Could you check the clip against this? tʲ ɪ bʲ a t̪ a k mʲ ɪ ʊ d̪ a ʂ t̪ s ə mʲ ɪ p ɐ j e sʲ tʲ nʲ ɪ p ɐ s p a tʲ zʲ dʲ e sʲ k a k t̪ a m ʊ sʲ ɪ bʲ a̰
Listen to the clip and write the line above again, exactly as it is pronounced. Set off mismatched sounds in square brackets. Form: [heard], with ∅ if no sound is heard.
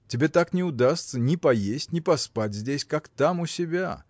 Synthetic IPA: tʲ ɪ bʲ [e] t̪ a k [nʲ] ɪ ʊ d̪ a [s] t̪ s ə [nʲ] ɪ p ɐ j e sʲ tʲ nʲ ɪ p ɐ s p a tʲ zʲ dʲ e sʲ k a k t̪ a m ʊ sʲ ɪ bʲ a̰